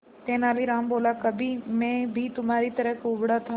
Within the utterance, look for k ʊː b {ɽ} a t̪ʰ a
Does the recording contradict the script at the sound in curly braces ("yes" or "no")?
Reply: no